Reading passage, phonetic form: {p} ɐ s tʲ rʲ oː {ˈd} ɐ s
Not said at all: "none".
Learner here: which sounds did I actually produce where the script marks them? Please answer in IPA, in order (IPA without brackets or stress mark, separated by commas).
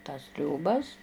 t, b